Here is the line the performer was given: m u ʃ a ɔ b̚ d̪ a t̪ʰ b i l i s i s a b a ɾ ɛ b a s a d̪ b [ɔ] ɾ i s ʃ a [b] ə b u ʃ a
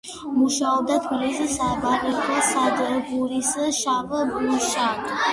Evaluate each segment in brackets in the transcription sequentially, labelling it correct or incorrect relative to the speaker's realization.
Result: incorrect: u, incorrect: v

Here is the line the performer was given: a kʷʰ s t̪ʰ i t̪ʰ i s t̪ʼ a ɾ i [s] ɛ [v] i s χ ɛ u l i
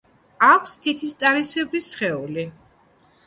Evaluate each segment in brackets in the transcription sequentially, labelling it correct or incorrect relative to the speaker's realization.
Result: correct, incorrect: b

